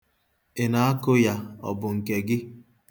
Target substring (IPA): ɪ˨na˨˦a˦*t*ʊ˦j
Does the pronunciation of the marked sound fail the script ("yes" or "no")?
yes